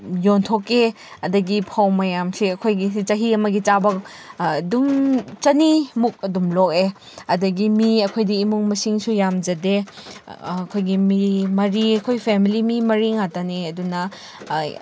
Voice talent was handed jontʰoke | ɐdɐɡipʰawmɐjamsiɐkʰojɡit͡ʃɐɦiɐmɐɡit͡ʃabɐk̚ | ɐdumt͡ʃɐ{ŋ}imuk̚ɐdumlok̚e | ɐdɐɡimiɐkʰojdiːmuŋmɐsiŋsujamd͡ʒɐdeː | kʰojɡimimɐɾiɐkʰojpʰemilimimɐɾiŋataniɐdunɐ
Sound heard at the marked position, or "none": n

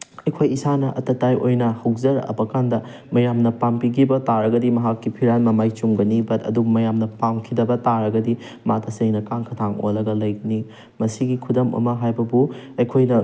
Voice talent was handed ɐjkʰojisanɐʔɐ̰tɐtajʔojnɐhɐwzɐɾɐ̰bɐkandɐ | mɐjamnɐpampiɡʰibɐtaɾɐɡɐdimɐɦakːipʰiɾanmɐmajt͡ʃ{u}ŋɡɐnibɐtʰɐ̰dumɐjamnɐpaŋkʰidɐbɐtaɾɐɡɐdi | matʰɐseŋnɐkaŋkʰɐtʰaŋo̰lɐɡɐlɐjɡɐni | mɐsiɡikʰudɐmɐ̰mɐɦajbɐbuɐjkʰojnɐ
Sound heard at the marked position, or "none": u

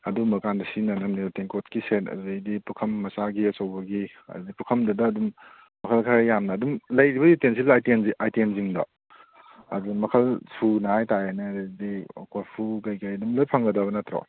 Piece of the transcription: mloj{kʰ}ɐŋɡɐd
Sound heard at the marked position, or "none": pʰ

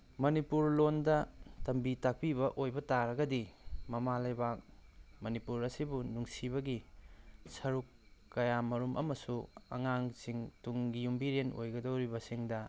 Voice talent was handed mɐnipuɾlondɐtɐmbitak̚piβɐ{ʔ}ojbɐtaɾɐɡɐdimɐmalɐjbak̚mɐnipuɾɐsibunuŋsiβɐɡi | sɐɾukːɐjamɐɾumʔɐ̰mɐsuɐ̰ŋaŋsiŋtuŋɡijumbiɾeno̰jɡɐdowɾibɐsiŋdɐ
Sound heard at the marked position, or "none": ʔ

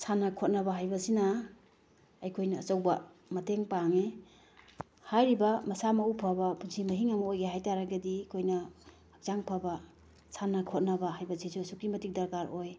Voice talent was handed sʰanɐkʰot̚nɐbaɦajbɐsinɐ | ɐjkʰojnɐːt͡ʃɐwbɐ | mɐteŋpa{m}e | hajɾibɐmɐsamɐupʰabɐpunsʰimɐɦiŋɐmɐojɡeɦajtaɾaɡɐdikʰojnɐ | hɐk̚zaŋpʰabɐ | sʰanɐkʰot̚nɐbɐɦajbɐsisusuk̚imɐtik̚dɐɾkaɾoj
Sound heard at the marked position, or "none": ŋ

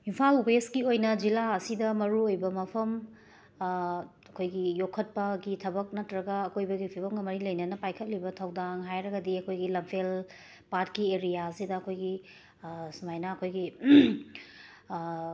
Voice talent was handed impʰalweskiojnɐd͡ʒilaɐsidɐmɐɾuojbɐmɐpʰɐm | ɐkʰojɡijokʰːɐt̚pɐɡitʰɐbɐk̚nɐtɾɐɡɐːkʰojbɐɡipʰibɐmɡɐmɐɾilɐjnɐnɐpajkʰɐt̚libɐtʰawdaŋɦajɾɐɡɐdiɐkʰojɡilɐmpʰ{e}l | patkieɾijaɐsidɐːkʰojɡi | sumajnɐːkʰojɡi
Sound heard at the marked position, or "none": e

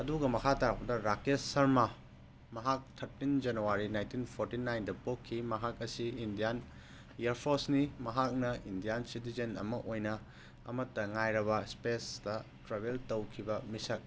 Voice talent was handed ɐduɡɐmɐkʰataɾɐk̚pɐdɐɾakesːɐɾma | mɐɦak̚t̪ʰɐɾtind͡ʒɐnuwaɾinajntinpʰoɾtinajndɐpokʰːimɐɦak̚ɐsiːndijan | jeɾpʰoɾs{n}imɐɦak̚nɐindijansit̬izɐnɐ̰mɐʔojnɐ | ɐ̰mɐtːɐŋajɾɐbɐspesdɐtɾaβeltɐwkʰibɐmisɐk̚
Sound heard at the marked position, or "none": n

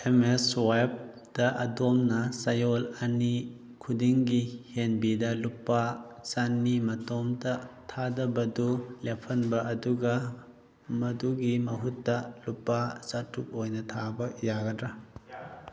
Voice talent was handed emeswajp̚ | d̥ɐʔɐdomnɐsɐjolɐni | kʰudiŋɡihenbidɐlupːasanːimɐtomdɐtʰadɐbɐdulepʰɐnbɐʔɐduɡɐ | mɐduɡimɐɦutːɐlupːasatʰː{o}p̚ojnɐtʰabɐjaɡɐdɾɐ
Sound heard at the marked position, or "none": u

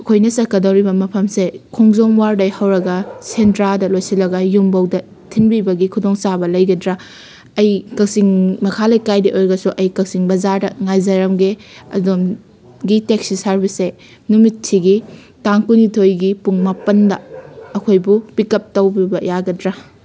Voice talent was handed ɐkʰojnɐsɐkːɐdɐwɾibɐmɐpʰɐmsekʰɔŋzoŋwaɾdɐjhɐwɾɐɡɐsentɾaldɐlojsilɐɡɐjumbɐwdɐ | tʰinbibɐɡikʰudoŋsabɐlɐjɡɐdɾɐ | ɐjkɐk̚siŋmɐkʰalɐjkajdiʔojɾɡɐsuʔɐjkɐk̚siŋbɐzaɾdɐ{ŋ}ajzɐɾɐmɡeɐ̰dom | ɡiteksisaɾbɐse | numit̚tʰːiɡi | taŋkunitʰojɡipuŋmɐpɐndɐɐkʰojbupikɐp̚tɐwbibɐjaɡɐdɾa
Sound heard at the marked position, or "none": ŋ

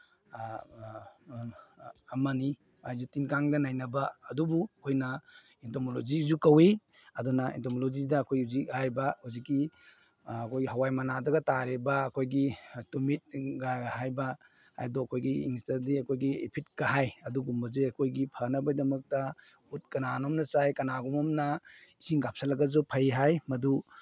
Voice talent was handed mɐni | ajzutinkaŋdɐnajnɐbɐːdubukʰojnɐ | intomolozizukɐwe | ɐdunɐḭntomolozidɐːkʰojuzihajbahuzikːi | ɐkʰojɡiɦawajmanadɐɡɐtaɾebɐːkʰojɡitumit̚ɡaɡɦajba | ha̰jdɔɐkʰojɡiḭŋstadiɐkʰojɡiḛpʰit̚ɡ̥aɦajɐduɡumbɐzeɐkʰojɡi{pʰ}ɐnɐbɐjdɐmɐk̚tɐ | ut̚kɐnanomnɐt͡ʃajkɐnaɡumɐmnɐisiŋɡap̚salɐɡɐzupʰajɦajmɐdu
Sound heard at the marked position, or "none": pʰ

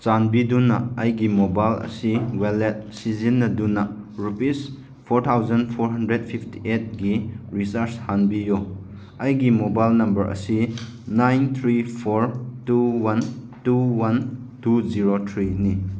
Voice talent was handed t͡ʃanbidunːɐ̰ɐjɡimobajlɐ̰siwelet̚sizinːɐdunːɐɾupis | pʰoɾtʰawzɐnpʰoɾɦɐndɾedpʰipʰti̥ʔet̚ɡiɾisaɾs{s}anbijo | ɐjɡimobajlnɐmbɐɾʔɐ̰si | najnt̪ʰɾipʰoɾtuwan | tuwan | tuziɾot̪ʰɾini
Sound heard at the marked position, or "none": h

